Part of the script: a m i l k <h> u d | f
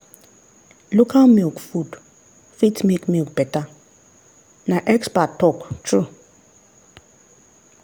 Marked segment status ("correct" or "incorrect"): incorrect